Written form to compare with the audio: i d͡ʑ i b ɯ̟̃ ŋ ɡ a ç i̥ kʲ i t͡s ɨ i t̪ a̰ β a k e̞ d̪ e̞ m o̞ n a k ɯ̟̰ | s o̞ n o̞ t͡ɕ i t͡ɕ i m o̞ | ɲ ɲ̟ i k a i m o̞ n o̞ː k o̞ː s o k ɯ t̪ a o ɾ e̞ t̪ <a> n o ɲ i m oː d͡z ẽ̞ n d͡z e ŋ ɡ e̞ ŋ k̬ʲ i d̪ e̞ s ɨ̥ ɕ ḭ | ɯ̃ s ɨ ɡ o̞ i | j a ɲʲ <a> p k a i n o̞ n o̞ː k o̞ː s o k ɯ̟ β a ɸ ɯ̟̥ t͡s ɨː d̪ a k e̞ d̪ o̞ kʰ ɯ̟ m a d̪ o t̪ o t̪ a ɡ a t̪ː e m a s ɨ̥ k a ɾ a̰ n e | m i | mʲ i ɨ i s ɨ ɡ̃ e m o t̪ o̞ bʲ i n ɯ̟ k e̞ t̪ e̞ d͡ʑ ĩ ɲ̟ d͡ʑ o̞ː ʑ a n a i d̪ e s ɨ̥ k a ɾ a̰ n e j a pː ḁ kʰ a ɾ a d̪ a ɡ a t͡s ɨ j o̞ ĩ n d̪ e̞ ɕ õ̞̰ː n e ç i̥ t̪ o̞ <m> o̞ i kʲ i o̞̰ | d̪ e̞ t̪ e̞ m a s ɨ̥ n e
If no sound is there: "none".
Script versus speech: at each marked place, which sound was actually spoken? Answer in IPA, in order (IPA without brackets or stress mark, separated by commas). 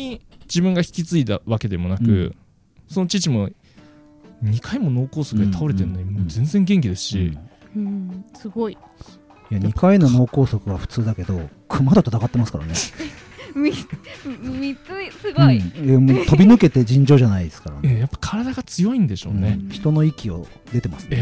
e, i, n